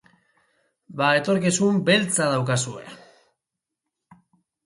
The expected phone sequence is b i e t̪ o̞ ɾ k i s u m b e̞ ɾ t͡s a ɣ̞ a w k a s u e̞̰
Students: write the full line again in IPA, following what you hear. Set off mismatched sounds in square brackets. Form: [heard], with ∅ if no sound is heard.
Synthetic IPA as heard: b [a] e t̪ o̞ ɾ k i s u m b e̞ [l] t͡s a [ð̞] a w k a s u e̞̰